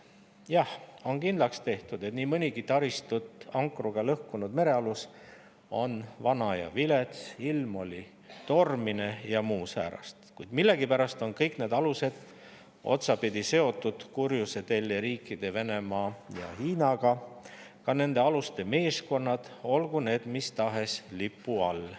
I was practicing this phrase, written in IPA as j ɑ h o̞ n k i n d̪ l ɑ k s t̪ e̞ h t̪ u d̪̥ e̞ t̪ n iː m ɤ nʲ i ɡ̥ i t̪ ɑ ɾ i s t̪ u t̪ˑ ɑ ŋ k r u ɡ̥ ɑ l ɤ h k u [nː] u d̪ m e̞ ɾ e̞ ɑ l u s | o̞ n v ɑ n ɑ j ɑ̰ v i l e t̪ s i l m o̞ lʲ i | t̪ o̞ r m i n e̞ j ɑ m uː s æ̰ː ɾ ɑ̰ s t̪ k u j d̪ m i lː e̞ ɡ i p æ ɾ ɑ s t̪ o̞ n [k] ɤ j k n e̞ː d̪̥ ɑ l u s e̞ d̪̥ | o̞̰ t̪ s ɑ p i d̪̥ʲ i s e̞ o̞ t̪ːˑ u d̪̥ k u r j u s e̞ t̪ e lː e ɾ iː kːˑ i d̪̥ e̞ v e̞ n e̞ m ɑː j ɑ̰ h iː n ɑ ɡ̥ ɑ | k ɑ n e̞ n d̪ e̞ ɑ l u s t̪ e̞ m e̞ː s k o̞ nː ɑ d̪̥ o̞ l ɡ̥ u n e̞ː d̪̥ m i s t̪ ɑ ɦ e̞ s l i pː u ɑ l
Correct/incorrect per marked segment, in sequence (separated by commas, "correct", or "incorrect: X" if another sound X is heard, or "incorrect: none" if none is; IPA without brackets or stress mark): incorrect: n, correct